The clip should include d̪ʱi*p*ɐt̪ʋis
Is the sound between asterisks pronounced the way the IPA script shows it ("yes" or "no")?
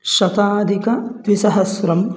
no